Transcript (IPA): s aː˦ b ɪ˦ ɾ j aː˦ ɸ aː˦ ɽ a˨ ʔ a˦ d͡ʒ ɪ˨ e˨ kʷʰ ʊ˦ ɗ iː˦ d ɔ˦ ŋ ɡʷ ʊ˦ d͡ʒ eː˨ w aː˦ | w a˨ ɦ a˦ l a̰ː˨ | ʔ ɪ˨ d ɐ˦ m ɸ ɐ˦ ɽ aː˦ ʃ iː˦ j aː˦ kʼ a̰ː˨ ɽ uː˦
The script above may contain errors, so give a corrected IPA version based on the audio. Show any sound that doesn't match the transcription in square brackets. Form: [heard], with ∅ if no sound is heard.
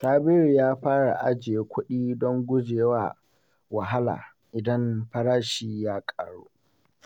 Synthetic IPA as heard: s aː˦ b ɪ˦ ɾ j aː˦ ɸ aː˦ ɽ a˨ ʔ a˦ d͡ʒ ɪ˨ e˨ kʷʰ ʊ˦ ɗ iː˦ d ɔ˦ ŋ ɡʷ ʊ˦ d͡ʒ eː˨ w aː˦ | w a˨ ɦ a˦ l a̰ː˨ | ʔ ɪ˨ d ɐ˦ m ɸ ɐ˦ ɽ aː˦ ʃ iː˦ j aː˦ kʼ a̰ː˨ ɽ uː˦